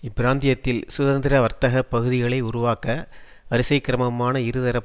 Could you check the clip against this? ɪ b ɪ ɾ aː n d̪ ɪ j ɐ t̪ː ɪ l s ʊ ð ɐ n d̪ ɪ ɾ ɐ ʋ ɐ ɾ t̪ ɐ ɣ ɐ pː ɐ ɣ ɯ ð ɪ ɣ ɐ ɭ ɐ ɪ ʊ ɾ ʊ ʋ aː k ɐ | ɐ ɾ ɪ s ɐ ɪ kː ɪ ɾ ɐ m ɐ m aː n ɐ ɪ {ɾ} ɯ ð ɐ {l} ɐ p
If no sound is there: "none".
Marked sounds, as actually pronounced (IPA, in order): ɾ, ɾ

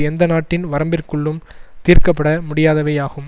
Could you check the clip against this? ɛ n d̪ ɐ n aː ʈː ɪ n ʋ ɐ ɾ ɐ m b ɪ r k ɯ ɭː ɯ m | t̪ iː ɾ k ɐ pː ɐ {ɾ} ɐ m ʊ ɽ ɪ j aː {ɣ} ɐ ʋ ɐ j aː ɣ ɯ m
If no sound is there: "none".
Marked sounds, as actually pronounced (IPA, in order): ɽ, ð

